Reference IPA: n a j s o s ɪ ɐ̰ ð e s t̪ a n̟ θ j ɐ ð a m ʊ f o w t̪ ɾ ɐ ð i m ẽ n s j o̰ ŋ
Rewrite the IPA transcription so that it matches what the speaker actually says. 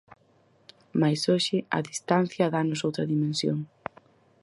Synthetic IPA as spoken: m a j s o ʃ ɪ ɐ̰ ð i s t̪ a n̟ θ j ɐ ð a n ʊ s o w t̪ ɾ ɐ ð i m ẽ n s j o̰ ŋ